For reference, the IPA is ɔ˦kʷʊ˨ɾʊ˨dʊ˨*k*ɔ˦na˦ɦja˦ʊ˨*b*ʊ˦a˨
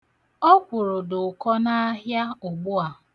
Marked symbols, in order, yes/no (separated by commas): yes, no